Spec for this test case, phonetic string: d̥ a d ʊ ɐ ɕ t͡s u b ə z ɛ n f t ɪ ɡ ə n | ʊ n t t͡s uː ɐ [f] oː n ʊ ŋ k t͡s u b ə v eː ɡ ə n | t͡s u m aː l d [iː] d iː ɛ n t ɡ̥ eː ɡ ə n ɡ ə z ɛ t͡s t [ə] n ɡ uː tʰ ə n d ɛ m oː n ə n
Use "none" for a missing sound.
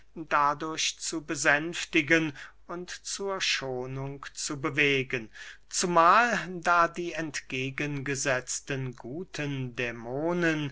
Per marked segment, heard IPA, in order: ʃ, aː, ə

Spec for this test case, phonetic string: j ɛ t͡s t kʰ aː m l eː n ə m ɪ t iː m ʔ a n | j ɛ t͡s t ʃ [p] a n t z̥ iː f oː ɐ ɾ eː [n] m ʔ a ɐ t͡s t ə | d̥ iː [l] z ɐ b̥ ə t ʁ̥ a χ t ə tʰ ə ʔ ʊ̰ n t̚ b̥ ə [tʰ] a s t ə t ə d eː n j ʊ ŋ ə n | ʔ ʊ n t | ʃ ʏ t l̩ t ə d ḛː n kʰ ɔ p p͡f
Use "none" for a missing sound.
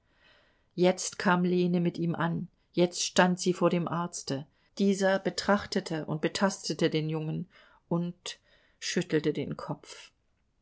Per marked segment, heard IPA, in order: t, none, none, tʰ

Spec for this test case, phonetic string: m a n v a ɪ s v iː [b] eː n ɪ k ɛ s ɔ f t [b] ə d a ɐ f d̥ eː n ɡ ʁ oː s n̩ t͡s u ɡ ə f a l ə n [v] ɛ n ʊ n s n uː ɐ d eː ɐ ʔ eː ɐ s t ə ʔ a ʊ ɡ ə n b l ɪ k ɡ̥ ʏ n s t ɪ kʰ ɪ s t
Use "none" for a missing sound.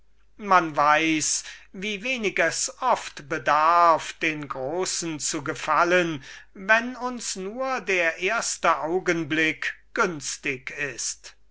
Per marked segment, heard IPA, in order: v, b, v

